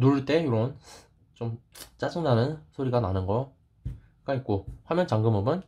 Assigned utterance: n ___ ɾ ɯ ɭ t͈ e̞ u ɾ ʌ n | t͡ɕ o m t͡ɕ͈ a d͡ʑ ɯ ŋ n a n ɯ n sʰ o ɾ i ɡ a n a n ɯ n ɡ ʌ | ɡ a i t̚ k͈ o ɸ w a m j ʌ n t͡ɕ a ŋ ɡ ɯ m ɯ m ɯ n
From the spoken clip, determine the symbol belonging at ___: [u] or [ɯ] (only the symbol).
u